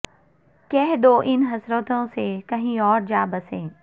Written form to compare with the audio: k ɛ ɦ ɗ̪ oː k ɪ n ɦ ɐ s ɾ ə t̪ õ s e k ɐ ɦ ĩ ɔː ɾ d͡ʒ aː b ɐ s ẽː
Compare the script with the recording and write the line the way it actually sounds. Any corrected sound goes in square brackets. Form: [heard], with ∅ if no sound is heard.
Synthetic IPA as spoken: k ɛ ɦ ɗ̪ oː [ʔ] ɪ n ɦ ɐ s ɾ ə t̪ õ s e k ɐ ɦ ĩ ɔː ɾ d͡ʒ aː b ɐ s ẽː